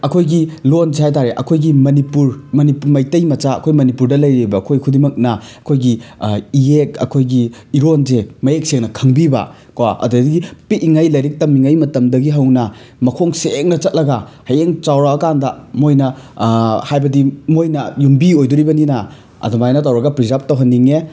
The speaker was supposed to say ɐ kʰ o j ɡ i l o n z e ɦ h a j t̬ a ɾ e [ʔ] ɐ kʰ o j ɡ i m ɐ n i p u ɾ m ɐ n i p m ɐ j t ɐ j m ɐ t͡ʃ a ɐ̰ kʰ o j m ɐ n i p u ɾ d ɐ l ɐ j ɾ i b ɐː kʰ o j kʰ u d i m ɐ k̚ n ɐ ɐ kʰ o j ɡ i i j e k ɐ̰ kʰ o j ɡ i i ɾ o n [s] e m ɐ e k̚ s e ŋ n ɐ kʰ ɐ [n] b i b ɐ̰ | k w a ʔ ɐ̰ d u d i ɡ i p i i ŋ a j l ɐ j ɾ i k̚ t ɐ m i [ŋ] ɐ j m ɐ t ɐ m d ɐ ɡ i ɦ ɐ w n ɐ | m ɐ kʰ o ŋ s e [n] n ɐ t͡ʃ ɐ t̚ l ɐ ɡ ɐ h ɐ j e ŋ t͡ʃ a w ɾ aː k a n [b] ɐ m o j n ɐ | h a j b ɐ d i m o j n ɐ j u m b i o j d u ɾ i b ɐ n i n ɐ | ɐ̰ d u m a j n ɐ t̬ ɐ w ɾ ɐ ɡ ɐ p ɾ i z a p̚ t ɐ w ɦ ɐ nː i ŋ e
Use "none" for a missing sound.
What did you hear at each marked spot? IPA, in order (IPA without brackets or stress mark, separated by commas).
ʔ, z, ŋ, ŋ, ŋ, d